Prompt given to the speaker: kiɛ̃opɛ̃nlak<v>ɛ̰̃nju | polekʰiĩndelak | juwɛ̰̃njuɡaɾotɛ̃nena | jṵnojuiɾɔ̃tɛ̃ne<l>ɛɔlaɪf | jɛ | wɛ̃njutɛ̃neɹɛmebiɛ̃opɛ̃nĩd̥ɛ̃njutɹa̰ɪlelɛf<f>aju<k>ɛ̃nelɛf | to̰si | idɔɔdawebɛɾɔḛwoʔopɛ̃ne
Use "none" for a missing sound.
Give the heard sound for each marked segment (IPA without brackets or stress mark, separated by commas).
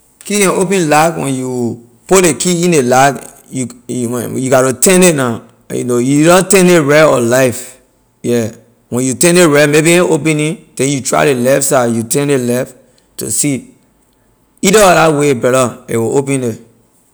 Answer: w, ɹ, s, t